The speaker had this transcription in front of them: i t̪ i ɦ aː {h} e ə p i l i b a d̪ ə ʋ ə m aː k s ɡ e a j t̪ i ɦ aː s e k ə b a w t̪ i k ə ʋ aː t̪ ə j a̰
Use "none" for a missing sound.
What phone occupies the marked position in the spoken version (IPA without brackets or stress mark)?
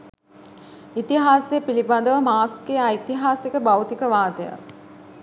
s